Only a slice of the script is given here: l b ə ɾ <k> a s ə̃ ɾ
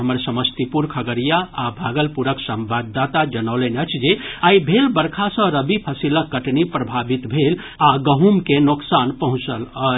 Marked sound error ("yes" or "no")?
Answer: yes